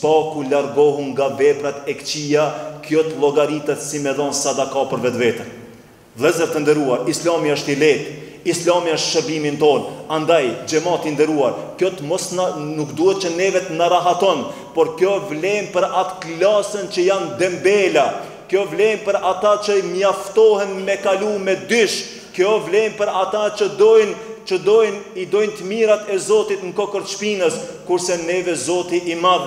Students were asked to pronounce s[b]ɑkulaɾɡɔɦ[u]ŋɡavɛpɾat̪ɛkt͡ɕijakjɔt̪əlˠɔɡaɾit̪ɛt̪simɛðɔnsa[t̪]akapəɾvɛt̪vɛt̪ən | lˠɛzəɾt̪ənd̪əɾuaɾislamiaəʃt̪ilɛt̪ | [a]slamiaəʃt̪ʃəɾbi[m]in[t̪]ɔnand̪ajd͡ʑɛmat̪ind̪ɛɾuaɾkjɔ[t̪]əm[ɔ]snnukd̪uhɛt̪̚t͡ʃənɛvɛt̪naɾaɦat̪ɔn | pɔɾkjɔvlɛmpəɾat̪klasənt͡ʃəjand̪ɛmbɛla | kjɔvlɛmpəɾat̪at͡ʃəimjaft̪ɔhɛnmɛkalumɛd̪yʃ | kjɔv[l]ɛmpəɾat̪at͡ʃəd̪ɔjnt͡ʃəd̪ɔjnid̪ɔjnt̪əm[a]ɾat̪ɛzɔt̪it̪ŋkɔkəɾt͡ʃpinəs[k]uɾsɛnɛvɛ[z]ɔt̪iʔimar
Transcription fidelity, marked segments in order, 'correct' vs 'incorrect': incorrect: p, correct, incorrect: d̪, incorrect: i, correct, correct, correct, correct, correct, incorrect: i, correct, correct

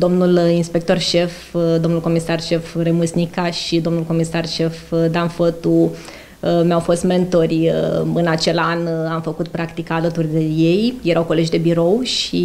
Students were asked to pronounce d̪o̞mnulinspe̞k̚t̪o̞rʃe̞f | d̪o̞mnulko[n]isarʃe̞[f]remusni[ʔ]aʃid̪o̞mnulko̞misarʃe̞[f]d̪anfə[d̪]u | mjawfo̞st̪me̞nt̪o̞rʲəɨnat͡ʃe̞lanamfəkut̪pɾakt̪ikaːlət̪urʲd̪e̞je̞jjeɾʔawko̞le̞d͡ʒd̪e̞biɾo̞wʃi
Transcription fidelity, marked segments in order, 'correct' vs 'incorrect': incorrect: m, correct, incorrect: k, correct, incorrect: t̪

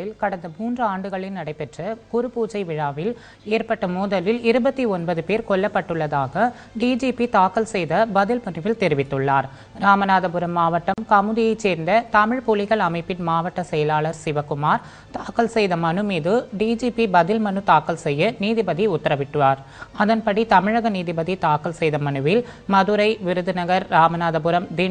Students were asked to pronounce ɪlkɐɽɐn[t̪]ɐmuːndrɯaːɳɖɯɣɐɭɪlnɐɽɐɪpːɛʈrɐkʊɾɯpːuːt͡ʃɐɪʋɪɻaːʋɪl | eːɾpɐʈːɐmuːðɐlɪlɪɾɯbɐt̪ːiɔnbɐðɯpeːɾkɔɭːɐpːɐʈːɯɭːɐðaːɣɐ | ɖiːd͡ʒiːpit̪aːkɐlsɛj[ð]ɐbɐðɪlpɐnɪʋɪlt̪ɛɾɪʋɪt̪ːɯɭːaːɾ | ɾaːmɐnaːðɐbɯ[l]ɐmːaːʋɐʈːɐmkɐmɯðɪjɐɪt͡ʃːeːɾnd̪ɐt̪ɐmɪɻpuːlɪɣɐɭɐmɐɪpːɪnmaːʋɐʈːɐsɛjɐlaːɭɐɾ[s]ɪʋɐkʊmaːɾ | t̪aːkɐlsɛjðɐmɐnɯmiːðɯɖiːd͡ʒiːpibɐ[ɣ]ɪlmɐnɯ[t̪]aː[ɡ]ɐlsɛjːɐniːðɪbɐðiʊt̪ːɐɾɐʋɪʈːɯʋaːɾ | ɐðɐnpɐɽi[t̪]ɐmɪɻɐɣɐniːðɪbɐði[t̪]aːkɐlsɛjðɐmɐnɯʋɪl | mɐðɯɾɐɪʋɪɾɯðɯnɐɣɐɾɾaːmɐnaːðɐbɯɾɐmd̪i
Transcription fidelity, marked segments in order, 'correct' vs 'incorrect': incorrect: d̪, correct, incorrect: ɾ, correct, incorrect: ð, correct, incorrect: k, correct, correct

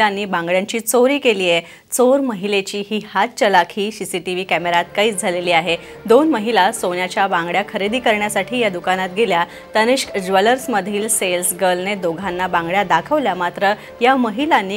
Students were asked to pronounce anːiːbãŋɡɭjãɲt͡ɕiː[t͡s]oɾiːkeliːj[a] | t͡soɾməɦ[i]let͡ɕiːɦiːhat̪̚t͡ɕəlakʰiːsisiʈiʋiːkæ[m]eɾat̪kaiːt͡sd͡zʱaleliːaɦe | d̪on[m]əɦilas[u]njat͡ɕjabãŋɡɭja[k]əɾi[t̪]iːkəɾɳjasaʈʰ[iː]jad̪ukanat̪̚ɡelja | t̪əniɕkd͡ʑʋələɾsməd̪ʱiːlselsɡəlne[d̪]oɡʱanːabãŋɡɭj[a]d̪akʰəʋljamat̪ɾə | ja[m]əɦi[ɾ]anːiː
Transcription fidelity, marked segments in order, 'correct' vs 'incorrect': correct, incorrect: e, correct, correct, correct, incorrect: o, incorrect: kʰ, incorrect: d̪, correct, correct, correct, correct, incorrect: l

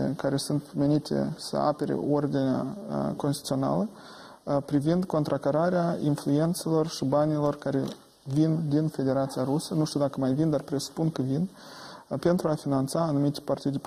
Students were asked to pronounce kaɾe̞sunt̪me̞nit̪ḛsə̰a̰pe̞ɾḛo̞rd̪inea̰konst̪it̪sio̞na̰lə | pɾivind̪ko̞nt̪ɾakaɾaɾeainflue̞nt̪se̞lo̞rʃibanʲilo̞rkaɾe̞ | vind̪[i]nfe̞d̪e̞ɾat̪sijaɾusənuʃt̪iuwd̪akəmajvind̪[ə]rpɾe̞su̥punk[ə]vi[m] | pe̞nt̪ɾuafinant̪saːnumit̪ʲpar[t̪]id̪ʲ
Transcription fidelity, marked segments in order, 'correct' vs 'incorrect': correct, incorrect: a, correct, incorrect: n, correct

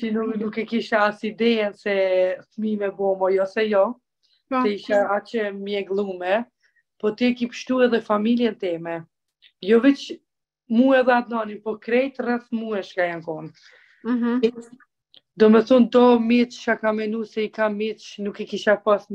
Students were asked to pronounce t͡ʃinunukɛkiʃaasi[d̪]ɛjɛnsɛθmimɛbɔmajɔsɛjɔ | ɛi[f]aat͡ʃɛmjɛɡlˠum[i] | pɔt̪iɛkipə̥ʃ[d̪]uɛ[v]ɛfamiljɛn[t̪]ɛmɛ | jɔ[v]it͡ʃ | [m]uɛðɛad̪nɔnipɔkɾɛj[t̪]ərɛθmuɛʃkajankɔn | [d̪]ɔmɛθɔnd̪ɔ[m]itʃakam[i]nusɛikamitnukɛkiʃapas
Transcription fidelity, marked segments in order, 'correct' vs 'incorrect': correct, incorrect: ʃ, incorrect: ɛ, incorrect: t̪, incorrect: ð, correct, correct, correct, correct, correct, correct, incorrect: ɛ

